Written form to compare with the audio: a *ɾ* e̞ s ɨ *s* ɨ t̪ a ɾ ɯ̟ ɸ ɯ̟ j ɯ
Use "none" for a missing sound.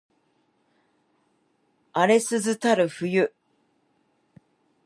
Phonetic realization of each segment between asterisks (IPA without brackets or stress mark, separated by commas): ɾ, z